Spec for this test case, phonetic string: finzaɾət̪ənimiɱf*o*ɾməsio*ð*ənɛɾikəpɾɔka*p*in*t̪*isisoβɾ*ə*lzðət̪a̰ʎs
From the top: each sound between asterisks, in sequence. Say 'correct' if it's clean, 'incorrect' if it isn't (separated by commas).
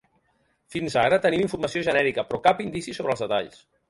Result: incorrect, incorrect, correct, incorrect, correct